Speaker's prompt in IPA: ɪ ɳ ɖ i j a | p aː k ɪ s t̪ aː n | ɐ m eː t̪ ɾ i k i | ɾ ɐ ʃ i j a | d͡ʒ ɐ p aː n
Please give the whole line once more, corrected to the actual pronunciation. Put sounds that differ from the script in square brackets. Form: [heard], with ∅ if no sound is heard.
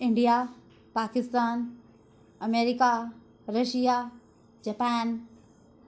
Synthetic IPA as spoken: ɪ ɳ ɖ i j a | p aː k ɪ s t̪ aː n | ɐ m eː [∅] ɾ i k [a] | ɾ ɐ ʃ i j a | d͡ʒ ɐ p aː n